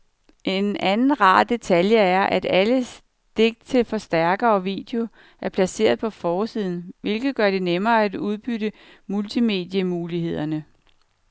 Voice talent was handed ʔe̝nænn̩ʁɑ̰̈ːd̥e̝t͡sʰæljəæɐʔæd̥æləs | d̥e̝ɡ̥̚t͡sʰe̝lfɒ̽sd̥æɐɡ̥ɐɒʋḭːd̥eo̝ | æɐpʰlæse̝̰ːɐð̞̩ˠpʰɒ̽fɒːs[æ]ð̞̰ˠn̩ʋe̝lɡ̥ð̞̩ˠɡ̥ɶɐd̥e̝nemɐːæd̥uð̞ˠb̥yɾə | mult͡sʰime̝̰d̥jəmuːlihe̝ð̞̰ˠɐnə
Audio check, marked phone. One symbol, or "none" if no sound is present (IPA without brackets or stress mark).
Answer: i